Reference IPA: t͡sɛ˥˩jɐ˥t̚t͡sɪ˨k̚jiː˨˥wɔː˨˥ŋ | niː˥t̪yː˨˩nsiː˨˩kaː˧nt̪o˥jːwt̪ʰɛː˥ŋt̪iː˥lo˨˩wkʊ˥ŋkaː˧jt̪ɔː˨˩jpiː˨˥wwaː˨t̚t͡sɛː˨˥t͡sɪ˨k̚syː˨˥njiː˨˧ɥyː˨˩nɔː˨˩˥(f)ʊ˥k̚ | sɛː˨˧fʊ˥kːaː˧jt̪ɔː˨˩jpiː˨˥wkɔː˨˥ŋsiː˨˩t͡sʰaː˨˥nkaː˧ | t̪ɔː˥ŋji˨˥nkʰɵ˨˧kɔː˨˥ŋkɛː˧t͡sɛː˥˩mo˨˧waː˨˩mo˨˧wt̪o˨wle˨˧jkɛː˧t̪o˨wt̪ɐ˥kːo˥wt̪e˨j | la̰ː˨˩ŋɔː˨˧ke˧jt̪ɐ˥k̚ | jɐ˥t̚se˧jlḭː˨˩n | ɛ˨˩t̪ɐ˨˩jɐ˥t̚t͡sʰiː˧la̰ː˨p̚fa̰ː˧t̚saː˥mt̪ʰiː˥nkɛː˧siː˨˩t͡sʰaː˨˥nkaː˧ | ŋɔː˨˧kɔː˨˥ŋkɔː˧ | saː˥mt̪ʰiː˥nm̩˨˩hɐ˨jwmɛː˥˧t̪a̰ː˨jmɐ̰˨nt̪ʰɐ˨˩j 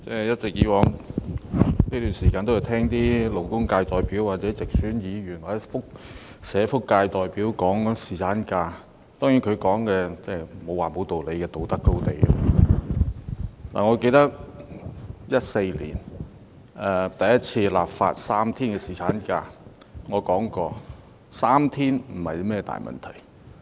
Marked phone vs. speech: correct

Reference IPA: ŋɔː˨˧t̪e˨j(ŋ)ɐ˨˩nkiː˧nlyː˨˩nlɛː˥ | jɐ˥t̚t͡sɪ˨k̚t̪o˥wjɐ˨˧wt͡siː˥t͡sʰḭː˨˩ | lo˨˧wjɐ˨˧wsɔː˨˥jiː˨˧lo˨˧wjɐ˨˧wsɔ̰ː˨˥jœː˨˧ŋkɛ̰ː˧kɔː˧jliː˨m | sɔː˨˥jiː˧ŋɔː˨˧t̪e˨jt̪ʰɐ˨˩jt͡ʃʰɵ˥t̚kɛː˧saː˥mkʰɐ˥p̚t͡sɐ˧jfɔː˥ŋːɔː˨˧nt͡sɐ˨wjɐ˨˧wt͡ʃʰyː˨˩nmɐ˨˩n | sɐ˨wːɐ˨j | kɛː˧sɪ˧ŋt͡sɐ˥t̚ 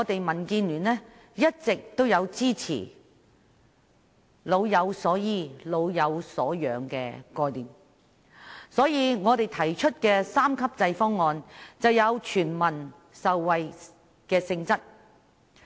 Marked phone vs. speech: incorrect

